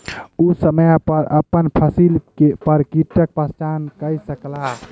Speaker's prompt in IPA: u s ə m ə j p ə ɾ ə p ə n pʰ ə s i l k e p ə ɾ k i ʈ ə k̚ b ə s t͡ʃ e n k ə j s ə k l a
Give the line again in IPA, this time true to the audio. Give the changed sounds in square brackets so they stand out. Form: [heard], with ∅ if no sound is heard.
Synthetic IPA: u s ə m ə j p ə ɾ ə p ə n pʰ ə s i l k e p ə ɾ k i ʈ ə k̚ [p] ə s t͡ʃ [a] n k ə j s ə k l a